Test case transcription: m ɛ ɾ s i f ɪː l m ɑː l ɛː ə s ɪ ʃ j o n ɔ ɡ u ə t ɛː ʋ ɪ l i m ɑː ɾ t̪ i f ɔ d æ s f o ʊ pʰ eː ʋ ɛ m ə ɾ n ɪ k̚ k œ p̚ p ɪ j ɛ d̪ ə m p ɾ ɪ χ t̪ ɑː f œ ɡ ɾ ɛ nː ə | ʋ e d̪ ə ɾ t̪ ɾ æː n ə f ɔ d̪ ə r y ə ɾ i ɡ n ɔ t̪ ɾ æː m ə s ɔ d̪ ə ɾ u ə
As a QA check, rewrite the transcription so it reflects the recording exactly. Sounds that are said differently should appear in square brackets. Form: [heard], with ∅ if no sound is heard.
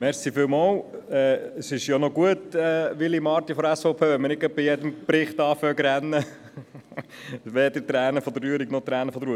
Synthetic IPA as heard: m ɛ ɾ s i f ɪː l m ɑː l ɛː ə s ɪ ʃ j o n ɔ ɡ u ə t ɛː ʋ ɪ l i m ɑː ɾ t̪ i f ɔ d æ s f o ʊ pʰ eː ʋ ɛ m ə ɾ n ɪ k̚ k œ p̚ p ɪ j ɛ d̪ ə m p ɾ ɪ χ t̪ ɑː f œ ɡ ɾ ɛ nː ə | ʋ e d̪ ə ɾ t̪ ɾ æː n ə f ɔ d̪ ə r y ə ɾ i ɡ n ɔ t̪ ɾ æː [n] ə [f] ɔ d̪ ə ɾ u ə